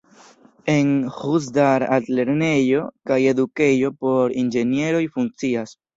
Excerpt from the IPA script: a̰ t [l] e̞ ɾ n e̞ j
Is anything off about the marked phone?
no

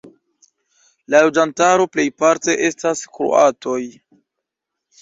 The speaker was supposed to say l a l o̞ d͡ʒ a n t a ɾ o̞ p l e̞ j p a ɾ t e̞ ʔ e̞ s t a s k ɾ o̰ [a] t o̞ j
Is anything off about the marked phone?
no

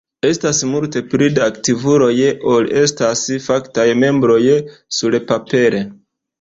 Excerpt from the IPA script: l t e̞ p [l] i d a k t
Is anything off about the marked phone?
yes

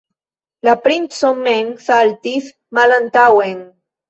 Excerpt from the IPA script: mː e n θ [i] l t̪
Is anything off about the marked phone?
yes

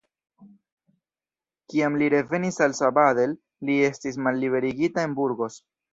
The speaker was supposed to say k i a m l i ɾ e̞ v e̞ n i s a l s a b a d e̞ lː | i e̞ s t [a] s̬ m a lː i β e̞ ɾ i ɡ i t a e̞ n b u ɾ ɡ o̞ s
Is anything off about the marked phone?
yes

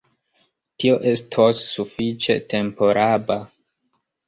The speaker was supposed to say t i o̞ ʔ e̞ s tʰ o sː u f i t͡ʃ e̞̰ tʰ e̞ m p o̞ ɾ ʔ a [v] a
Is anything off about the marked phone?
yes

